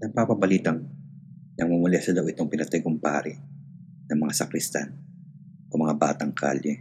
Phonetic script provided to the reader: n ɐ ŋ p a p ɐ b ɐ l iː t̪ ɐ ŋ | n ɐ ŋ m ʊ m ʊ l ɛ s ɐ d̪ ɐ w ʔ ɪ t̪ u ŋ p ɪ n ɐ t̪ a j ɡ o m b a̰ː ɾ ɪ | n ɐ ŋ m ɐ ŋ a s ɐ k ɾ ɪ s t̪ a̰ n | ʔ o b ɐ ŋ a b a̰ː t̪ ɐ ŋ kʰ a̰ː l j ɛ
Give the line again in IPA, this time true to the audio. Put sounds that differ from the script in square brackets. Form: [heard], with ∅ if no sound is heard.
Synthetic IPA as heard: n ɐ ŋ p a p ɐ b ɐ l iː t̪ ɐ ŋ | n ɐ ŋ m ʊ m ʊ l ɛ s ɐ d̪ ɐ w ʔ ɪ t̪ [o] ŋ p ɪ n ɐ t̪ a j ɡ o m [p] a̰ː ɾ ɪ | n ɐ ŋ m ɐ ŋ a s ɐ k ɾ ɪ s t̪ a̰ n | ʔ o [m] ɐ ŋ a b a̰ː t̪ ɐ ŋ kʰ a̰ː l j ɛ